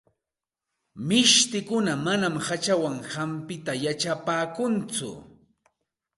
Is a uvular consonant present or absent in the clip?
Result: absent